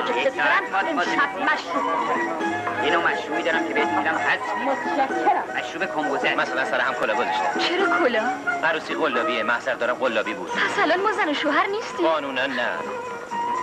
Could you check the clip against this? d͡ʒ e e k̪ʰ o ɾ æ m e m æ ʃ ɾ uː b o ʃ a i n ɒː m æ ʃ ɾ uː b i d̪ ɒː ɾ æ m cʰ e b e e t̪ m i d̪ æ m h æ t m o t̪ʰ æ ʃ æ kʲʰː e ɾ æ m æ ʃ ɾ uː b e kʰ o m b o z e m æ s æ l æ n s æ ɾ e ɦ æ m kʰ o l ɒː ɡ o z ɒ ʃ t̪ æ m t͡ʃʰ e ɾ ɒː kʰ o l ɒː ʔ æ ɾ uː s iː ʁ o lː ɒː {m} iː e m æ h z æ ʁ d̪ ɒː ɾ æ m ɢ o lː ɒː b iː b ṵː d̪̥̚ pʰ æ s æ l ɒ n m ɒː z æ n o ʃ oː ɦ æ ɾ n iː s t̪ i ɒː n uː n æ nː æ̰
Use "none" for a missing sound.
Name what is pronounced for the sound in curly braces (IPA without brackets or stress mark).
b